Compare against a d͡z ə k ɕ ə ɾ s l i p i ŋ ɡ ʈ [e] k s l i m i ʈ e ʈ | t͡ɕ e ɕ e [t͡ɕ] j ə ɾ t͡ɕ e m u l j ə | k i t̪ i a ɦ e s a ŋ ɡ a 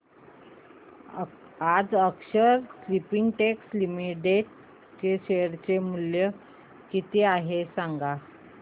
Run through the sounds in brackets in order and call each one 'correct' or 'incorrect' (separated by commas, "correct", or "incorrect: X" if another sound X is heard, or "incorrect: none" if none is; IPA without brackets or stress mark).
correct, incorrect: none